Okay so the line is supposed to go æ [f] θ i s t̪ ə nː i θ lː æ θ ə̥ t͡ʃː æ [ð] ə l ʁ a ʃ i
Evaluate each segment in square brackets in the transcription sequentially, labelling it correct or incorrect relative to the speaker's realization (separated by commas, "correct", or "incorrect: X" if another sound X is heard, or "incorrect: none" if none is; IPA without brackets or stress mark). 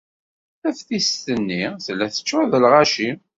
correct, correct